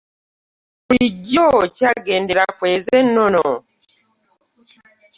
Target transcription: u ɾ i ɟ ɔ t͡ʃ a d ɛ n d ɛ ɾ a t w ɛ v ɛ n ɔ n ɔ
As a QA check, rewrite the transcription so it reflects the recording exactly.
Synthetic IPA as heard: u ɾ i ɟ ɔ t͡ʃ a ɡ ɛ n d ɛ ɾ a k w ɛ z ɛ n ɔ n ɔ